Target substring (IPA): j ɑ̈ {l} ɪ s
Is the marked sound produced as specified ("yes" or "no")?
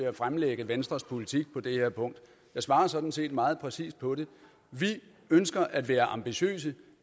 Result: no